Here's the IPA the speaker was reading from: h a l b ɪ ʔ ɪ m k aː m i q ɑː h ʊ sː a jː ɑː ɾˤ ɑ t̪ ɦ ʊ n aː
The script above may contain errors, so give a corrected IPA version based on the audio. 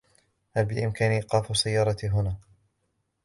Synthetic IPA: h a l b ɪ ʔ ɪ m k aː n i q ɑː f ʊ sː a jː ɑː ɾˤ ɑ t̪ ɦ ʊ n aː

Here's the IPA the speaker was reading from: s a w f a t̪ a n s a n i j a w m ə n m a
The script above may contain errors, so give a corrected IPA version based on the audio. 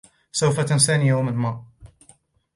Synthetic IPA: s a w f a t̪ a n s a n i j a w m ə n m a

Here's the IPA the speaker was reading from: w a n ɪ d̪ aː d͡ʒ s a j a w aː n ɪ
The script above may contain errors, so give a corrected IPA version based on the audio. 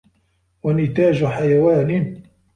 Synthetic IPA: w a n ɪ t̪ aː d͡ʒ ħ a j a w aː n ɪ

